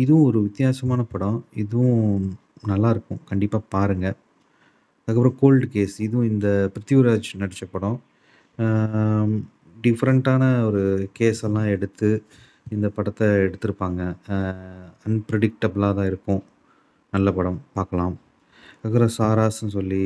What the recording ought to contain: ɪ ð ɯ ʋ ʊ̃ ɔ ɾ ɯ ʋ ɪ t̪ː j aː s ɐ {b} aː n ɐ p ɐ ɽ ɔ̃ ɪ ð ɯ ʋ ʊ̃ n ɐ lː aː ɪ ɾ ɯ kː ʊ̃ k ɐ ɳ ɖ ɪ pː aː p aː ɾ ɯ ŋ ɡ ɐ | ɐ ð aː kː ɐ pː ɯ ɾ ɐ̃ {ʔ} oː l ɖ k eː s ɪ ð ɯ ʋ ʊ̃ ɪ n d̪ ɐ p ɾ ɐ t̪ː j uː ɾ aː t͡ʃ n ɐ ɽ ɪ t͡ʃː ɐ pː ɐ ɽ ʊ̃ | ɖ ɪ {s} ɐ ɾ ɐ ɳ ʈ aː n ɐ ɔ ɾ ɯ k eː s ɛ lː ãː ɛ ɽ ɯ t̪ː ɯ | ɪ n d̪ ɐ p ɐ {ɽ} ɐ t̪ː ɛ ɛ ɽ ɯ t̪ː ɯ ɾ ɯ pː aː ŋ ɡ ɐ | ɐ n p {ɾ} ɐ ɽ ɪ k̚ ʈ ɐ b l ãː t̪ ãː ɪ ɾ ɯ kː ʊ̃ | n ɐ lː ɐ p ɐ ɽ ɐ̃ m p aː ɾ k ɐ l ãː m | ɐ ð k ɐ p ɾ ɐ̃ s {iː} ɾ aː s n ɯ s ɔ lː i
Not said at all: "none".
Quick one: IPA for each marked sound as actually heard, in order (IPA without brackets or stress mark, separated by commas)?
m, k, f, ɽ, ɾ, aː